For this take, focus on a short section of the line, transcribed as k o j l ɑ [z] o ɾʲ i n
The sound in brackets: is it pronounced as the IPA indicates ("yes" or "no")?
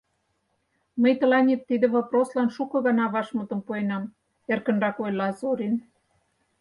yes